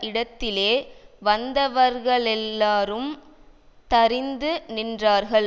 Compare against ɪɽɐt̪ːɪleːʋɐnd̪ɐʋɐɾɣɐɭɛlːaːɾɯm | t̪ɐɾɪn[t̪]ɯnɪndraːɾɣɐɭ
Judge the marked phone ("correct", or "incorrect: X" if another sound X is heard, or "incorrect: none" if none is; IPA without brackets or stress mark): incorrect: d̪